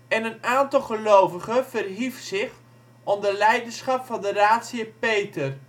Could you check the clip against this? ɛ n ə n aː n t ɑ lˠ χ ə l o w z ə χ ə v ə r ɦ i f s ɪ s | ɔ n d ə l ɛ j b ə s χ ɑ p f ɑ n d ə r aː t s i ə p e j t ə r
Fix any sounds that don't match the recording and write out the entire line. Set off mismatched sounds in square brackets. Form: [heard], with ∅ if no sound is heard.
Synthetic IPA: ɛ n ə n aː n t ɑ lˠ χ ə l o w [v] ə χ ə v ə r ɦ i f s ɪ [χ] | ɔ n d ə l ɛ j [d] ə s χ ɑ p f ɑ n d ə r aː t s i ə p e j t ə r